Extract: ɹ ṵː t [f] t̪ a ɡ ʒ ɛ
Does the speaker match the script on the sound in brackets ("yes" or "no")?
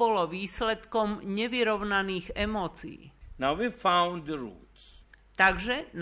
no